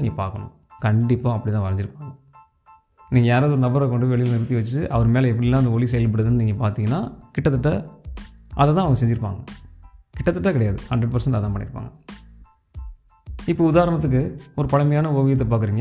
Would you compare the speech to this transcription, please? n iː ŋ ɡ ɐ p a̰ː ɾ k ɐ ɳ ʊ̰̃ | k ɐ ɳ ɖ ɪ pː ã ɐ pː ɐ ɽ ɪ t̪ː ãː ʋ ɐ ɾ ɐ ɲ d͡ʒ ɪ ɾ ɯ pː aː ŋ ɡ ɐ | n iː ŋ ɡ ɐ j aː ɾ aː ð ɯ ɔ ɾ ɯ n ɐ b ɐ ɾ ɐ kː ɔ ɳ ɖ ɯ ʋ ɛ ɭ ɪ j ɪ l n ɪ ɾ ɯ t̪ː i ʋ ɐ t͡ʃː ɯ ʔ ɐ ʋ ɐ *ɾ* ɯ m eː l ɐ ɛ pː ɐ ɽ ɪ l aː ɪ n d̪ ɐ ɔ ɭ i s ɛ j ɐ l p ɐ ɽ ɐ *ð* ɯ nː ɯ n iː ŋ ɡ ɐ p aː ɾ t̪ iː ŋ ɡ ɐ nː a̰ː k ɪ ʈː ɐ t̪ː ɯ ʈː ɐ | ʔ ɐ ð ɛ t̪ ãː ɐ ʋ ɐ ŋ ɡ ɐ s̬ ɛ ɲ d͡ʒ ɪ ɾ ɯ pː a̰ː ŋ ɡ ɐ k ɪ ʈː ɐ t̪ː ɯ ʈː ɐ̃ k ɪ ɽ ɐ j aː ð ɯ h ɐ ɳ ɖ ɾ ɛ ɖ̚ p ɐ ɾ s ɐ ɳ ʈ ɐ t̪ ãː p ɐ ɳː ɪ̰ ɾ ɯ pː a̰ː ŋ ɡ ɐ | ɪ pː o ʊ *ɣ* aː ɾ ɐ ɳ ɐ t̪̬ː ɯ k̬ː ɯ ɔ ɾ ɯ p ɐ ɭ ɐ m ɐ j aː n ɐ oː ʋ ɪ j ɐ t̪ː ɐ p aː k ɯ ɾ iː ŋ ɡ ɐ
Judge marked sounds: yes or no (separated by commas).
yes, yes, no